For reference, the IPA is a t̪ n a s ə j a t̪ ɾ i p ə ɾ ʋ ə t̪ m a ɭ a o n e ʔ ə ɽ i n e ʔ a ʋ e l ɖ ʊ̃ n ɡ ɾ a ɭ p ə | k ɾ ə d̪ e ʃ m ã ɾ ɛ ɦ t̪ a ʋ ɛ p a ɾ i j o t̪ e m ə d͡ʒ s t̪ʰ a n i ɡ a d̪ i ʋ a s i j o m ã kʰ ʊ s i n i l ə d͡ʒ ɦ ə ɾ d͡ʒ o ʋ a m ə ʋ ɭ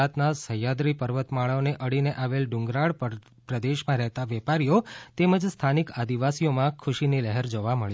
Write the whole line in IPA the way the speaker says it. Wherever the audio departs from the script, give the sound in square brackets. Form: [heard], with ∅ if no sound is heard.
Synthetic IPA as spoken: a t̪ n a s ə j a [d̪] ɾ i p ə ɾ ʋ ə t̪ m a ɭ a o n e ʔ ə ɽ i n e ʔ a ʋ e l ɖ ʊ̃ [ŋ] ɡ ɾ a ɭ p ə | [p] ɾ ə d̪ e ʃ m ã ɾ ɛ ɦ t̪ a ʋ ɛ p a ɾ i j o t̪ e m ə d͡ʒ s t̪ʰ a n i [k] a d̪ i ʋ a s i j o m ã kʰ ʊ [ʃ] i n i l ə [∅] ɦ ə ɾ d͡ʒ o ʋ a m ə [∅] ɭ